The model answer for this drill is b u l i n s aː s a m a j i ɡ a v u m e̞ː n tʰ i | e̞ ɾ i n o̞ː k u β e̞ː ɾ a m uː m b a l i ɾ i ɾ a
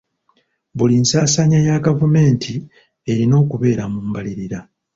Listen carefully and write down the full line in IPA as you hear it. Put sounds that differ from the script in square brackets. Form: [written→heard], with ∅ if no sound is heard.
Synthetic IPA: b u l i n s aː s a [m→ɲ] a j [i→a] ɡ a v u m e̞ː n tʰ i | e̞ ɾ i n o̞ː k u β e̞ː ɾ a m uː m b a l i ɾ i ɾ a